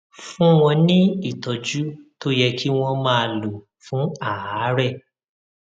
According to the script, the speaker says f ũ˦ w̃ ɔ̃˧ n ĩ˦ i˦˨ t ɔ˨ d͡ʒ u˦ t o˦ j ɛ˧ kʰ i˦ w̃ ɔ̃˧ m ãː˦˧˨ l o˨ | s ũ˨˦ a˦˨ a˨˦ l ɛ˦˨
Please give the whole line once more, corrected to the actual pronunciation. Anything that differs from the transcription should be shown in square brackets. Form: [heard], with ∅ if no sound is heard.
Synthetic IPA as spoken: f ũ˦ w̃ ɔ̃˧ n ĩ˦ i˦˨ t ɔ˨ d͡ʒ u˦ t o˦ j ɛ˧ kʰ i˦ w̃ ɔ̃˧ m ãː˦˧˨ l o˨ | [f] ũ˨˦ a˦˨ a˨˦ [ɾ] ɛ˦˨

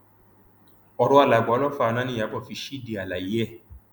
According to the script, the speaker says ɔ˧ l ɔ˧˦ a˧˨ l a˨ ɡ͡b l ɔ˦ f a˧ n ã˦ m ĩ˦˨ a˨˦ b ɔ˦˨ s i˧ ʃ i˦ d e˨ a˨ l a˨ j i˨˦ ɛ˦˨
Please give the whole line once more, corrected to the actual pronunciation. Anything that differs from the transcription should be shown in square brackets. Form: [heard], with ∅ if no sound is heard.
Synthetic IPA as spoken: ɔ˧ [ɾ] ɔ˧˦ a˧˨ l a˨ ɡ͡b l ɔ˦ f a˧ n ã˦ [n] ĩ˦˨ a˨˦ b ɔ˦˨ [f] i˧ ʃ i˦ d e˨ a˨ l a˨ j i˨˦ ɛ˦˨

